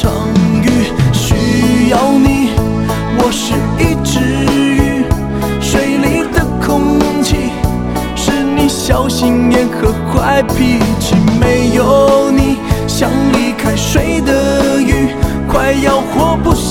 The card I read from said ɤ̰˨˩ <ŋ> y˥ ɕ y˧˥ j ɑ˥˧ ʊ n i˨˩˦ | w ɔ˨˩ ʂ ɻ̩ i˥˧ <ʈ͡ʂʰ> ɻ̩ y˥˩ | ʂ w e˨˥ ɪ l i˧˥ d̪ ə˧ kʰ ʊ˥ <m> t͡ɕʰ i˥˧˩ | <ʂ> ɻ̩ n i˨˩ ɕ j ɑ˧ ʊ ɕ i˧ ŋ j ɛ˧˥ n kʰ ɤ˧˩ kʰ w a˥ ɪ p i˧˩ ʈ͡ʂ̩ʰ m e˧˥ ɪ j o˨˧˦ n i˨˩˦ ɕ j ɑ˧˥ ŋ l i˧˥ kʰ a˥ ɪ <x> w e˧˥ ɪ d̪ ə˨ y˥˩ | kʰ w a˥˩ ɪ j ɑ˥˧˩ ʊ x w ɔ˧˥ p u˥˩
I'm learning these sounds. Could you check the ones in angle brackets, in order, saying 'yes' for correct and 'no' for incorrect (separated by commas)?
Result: yes, no, no, yes, no